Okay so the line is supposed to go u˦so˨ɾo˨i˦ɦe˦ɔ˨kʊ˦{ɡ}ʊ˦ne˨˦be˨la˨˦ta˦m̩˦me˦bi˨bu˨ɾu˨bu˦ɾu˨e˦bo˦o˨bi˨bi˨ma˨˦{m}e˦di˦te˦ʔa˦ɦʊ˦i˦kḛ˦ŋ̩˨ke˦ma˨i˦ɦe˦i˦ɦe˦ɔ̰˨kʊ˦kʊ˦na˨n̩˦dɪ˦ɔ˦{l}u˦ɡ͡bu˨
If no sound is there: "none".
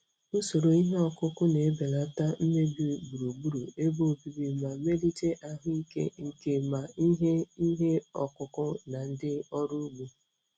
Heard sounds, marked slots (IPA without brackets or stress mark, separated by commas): k, m, ɾ